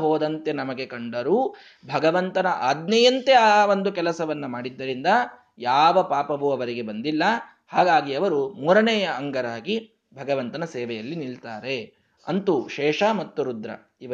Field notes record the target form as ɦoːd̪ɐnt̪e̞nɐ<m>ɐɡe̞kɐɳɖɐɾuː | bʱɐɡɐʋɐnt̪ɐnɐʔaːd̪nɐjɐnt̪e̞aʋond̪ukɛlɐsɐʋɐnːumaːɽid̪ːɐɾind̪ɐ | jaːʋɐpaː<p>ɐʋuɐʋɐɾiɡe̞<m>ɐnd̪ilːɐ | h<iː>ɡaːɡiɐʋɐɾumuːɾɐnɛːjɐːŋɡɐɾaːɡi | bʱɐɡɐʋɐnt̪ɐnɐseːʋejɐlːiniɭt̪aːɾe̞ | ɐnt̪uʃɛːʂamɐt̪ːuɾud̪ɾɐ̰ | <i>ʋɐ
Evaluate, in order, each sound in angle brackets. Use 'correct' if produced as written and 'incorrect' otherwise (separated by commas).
correct, correct, incorrect, incorrect, correct